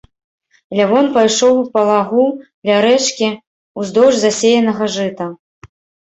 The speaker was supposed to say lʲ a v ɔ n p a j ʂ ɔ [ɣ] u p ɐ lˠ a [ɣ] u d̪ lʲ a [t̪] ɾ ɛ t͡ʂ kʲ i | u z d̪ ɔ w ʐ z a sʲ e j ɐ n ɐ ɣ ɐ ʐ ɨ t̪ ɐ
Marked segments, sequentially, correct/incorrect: incorrect: w, correct, incorrect: none

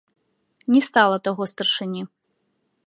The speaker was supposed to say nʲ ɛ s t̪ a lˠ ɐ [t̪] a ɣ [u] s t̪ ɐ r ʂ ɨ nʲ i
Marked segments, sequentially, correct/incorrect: correct, incorrect: ɔ

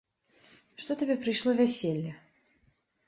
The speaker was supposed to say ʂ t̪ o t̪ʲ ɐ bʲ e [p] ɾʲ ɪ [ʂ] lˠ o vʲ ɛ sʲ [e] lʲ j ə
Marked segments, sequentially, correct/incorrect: correct, correct, correct

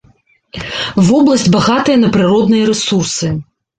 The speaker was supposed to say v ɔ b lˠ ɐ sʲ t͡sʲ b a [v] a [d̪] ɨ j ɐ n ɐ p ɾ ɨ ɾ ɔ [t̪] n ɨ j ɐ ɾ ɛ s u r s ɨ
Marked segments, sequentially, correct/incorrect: incorrect: ɣ, incorrect: t̪, incorrect: d̪

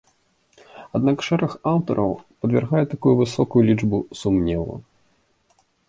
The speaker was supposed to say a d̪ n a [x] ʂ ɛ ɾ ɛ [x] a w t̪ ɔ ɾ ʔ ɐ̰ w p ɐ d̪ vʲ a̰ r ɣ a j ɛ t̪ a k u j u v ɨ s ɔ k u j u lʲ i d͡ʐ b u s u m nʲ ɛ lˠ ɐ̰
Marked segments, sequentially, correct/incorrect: incorrect: k, correct

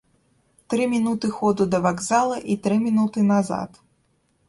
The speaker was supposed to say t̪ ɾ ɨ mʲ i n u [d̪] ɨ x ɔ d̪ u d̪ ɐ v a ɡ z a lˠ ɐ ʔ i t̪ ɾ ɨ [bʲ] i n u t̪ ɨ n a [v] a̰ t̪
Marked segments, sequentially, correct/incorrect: incorrect: t̪, incorrect: mʲ, incorrect: z

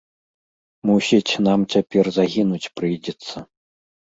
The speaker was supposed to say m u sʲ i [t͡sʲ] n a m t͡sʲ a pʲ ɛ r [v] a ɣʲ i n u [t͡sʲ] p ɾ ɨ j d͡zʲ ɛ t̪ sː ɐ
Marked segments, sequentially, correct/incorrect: correct, incorrect: z, correct

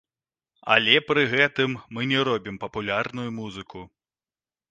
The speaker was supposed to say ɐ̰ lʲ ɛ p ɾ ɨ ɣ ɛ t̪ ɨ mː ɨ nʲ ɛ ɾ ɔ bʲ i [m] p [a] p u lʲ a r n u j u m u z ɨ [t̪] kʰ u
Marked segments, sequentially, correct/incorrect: correct, incorrect: ɐ, incorrect: none

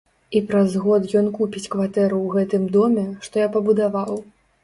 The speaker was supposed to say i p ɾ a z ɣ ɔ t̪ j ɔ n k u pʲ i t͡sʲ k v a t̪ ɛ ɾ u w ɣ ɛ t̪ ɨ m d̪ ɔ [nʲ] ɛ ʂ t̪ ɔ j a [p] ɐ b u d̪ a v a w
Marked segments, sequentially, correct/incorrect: incorrect: mʲ, correct

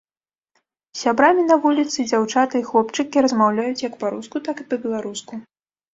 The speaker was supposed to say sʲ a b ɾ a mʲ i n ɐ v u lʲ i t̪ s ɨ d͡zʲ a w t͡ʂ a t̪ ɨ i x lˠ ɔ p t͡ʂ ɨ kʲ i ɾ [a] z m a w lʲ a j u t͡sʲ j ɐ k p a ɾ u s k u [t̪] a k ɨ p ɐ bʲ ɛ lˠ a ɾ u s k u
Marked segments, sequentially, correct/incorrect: incorrect: ɐ, correct

